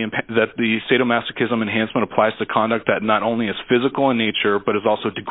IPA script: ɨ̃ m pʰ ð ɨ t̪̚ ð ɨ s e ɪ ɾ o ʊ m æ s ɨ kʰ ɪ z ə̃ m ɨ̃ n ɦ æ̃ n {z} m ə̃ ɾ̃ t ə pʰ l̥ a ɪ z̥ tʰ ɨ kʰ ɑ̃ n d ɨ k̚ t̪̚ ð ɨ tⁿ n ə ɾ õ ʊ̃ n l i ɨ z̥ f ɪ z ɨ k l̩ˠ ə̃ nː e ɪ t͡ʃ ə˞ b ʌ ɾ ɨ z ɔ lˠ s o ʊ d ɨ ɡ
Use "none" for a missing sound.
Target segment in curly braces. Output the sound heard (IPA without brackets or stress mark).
s